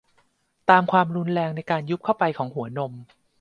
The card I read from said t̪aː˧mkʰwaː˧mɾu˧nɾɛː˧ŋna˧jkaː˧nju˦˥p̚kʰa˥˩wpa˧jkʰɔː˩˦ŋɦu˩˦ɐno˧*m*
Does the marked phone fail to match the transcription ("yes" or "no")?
no